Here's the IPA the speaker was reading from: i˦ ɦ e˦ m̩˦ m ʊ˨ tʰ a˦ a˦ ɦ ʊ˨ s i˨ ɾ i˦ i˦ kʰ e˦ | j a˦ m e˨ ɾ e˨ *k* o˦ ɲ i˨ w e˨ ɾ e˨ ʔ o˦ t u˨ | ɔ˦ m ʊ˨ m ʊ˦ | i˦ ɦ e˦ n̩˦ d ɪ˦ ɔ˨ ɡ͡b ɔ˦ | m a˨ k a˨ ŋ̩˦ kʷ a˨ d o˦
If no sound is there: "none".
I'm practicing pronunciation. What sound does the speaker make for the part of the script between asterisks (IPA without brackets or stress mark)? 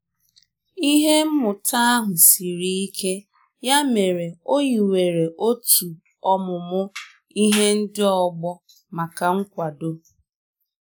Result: none